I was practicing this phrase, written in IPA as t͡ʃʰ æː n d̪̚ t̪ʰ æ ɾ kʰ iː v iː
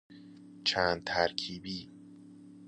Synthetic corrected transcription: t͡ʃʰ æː n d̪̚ t̪ʰ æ ɾ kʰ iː b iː